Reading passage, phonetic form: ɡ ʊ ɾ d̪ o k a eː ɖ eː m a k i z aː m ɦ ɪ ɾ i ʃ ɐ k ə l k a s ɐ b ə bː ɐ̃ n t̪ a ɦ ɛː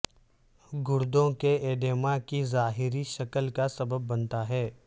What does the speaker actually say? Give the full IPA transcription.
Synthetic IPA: ɡ ʊ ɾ d̪ õ k e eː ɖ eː m a k i z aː ɦ ɪ ɾ i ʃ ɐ k ə l k a s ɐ b ə bː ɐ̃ n t̪ a ɦ ɛː